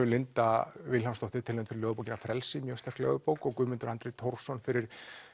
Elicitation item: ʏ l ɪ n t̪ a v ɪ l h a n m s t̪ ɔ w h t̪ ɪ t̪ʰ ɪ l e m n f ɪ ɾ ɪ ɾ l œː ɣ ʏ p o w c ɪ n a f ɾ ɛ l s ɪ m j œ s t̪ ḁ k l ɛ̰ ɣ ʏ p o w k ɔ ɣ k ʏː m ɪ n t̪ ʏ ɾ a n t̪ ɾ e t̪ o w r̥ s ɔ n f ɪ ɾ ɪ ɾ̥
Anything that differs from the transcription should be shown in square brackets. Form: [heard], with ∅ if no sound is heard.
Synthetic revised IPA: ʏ l ɪ n t̪ a v ɪ l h a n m s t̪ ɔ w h t̪ ɪ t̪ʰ ɪ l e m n f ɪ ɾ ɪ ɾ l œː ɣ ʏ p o w c ɪ n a f ɾ ɛ l s ɪ m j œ s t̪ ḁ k l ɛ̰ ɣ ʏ p o w k ɔ ɣ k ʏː m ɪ n t̪ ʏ ɾ a n t̪ ɾ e [t̪ʰ] o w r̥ s ɔ n f ɪ ɾ ɪ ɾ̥